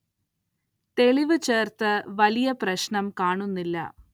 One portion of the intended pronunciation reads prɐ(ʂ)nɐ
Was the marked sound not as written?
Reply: yes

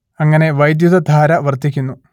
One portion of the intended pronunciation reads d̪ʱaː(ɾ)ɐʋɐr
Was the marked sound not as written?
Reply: no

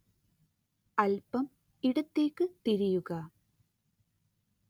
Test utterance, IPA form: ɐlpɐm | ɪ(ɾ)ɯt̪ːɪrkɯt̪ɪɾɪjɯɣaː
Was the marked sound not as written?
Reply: yes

